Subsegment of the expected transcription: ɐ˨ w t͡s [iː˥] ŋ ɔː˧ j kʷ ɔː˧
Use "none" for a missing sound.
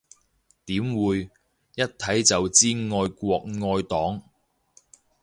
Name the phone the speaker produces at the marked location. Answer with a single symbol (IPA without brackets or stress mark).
iː˥